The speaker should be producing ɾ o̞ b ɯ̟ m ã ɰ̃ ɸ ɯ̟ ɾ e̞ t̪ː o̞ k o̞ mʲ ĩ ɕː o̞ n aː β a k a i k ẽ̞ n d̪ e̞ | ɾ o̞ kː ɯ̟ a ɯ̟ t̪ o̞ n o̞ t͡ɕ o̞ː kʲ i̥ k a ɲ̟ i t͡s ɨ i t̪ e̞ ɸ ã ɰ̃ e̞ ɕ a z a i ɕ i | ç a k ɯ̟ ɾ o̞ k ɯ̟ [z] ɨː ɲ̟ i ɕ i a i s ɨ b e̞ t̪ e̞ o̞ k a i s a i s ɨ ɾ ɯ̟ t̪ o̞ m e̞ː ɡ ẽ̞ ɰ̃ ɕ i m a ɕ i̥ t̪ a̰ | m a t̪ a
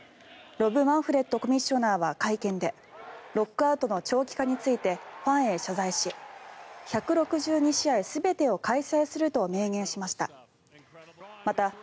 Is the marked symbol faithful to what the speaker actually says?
no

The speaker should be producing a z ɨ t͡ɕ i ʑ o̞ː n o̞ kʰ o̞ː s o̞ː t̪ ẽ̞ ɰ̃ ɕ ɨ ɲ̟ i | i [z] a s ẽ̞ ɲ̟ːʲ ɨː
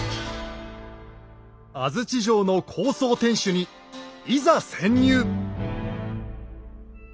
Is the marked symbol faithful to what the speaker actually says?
yes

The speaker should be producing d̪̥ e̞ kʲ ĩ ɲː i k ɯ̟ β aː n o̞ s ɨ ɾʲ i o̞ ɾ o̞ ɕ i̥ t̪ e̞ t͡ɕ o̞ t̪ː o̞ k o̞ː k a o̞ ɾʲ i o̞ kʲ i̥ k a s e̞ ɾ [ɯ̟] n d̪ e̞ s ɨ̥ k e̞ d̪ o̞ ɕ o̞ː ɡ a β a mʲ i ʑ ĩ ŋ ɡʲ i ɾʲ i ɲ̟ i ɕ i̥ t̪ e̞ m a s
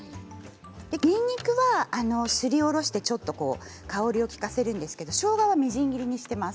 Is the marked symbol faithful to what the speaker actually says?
no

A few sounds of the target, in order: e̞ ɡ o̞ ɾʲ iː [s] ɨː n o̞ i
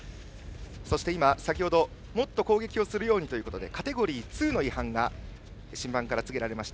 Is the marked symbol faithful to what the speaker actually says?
no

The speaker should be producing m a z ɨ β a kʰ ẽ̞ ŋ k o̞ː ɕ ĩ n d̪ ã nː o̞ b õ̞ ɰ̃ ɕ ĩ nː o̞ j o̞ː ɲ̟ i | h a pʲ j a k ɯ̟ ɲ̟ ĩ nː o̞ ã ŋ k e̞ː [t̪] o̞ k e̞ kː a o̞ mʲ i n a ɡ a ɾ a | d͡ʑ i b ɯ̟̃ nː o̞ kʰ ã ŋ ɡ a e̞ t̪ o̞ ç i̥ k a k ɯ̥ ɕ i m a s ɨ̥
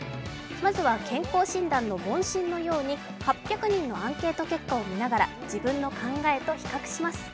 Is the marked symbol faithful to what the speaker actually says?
yes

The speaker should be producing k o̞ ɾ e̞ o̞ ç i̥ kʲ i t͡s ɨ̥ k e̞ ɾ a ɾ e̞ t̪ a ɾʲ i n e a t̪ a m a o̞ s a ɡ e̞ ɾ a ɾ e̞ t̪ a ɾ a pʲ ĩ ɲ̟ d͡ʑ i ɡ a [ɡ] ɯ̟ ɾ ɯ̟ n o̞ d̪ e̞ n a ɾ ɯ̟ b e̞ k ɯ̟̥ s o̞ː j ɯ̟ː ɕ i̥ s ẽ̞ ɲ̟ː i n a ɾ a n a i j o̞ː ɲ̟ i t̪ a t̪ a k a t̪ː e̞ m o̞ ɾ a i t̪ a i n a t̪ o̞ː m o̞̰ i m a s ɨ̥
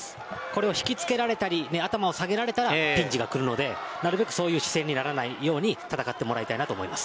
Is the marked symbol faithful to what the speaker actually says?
no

